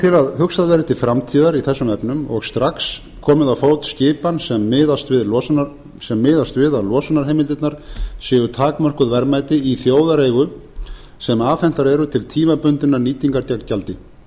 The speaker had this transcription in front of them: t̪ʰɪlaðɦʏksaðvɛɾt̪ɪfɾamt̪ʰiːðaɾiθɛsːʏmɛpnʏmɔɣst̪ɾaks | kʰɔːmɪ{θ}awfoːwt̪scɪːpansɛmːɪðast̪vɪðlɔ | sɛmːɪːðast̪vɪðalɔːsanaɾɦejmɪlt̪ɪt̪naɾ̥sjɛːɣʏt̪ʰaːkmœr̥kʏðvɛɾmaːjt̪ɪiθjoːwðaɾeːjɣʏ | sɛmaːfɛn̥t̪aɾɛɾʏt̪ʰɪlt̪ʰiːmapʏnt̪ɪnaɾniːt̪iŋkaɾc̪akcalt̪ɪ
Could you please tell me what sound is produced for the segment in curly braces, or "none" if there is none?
ð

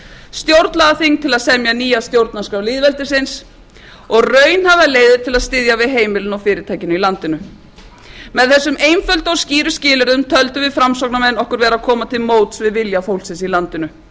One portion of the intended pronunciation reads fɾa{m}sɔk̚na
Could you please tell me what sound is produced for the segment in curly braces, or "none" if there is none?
m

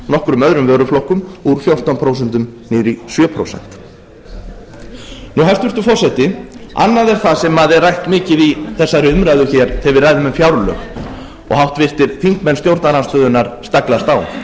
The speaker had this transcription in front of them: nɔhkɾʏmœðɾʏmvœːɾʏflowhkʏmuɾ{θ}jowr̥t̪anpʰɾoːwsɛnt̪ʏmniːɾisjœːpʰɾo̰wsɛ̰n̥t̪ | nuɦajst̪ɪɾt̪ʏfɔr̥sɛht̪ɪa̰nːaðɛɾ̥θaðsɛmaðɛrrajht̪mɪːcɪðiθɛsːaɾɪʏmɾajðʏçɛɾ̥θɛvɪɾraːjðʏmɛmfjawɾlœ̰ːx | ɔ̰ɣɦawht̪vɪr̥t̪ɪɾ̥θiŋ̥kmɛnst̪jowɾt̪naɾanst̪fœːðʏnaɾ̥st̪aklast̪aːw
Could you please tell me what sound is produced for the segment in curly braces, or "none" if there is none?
f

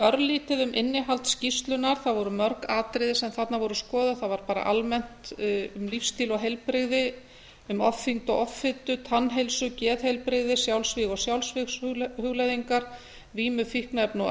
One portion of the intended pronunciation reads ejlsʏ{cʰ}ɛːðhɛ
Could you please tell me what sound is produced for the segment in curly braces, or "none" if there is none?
c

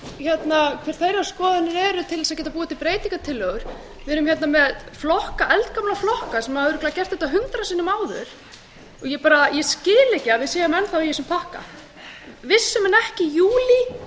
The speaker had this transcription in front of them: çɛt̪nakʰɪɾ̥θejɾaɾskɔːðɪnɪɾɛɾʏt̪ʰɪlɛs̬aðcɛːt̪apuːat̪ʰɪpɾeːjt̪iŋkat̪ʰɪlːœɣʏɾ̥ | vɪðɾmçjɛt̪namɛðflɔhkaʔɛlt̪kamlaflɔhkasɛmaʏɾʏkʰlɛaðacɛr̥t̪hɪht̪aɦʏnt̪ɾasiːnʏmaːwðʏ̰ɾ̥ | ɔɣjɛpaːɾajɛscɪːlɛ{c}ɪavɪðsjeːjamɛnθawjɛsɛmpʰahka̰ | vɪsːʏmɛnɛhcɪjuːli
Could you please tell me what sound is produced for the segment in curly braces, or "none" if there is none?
c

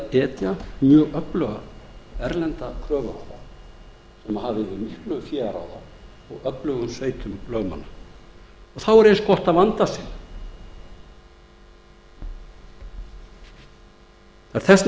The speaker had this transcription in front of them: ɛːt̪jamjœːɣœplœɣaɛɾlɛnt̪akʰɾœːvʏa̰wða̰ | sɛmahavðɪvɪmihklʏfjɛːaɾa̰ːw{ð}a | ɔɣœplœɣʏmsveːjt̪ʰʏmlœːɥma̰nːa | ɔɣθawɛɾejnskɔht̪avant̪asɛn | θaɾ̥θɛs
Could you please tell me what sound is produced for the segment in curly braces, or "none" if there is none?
ð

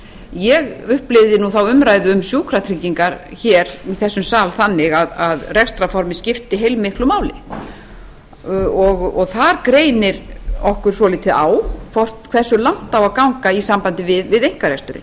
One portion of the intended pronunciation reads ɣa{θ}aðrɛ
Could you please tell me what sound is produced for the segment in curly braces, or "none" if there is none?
ð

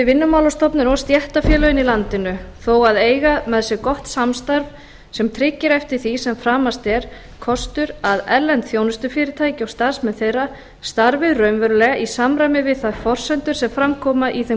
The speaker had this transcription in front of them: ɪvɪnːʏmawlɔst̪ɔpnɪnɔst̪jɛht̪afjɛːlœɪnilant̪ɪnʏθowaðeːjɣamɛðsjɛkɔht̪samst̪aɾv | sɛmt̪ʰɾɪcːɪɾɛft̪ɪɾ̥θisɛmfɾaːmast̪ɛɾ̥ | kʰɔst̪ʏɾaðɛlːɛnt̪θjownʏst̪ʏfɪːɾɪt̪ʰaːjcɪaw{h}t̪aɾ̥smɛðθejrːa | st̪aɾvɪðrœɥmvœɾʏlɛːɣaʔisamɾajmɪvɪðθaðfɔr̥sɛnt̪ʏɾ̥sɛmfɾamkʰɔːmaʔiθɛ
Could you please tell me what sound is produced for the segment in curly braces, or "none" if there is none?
s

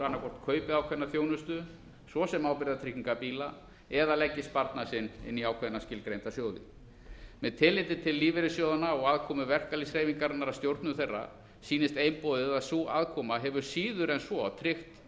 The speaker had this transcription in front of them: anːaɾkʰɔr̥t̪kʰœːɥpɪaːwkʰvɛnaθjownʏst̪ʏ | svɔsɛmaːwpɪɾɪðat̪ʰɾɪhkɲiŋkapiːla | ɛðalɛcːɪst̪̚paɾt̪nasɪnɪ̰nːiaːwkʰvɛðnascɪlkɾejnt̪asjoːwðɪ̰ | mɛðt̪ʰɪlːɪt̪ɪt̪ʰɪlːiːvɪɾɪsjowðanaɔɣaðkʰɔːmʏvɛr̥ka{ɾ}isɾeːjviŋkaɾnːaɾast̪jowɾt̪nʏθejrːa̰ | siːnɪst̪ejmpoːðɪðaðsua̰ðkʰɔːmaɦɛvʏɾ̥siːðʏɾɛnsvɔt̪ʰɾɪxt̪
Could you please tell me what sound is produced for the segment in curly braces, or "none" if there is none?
l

